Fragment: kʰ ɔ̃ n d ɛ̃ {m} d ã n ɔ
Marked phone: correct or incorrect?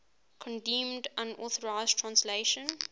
correct